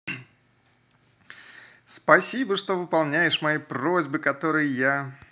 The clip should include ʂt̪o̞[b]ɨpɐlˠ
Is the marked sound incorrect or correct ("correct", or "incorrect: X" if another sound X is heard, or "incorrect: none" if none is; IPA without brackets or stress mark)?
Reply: incorrect: v